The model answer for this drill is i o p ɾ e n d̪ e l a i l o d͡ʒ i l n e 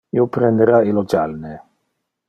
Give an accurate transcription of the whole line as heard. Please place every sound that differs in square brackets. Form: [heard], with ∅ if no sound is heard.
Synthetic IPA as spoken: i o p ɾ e n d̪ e [ɾ] a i l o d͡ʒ [a] l n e